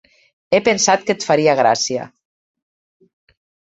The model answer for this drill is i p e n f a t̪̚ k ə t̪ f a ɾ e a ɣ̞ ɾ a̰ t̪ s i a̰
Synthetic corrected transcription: e p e n s a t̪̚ k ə t̪ f a ɾ i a ɣ̞ ɾ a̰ s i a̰